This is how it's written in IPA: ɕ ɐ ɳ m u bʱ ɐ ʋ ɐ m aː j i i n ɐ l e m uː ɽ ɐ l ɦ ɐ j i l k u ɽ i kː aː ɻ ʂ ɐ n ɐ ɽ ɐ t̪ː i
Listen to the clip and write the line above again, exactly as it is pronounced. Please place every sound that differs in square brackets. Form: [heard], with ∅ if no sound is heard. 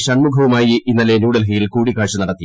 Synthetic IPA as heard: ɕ ɐ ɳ m u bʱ ɐ ʋ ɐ m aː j i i [nː] ɐ l e [n] uː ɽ ɐ l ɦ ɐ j i l k [uː] ɽ i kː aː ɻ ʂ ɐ n ɐ ɽ ɐ t̪ː i